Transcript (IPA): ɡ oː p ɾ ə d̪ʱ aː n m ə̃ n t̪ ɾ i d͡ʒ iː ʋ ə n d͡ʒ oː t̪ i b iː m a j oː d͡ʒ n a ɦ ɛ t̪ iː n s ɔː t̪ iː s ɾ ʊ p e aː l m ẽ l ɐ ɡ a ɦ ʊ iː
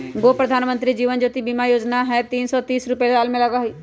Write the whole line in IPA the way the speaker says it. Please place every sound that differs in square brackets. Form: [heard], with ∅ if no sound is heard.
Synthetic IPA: ɡ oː p ɾ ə d̪ʱ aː n m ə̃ n t̪ ɾ i d͡ʒ iː ʋ ə n d͡ʒ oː t̪ i b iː m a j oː d͡ʒ n a ɦ ɛ t̪ iː n s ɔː t̪ iː s ɾ ʊ p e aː l m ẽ l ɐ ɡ a ɦ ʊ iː